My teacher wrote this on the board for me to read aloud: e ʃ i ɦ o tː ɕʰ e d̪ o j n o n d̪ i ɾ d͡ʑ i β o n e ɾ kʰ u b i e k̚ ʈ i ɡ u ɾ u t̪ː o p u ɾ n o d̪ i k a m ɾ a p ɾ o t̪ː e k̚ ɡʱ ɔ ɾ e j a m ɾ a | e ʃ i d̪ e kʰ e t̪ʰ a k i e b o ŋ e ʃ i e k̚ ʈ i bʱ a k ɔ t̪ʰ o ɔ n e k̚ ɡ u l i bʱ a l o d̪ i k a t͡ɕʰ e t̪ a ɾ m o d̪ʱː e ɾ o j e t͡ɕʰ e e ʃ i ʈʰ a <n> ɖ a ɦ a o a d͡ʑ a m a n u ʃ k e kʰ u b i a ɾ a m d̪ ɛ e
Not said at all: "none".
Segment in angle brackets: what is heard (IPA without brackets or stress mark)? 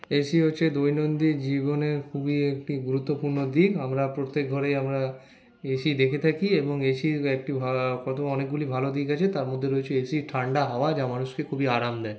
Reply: ɳ